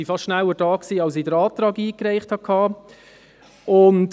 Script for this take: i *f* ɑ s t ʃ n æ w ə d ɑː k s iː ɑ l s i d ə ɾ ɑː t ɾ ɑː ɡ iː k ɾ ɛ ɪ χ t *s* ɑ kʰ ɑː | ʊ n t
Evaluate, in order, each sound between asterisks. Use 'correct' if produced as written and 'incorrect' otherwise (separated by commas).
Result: correct, incorrect